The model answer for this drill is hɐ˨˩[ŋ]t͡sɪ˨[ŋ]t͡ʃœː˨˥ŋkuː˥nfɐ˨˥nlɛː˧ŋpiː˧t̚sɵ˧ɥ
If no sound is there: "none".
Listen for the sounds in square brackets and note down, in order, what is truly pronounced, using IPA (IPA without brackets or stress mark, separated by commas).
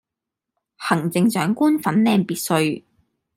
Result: ŋ, ŋ